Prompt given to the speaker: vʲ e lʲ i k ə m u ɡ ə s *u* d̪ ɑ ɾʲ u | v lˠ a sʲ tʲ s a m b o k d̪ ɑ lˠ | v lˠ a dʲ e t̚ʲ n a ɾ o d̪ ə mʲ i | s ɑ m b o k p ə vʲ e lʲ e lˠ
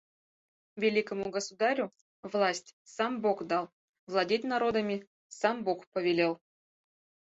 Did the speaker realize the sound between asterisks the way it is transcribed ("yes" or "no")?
yes